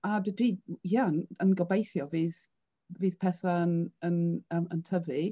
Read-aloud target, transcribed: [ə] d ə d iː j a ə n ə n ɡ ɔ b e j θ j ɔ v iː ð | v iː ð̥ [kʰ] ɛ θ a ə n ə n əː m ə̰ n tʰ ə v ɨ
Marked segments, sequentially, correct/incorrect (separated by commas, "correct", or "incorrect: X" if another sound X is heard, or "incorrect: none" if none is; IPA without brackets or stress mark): incorrect: a, incorrect: pʰ